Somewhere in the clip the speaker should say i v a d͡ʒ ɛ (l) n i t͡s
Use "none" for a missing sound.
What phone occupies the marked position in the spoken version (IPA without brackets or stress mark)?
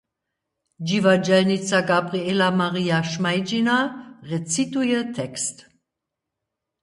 l